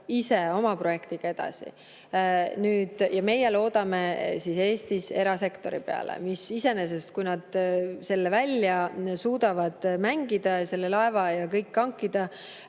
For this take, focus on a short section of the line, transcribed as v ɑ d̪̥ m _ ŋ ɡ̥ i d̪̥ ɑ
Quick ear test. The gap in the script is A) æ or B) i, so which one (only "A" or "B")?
A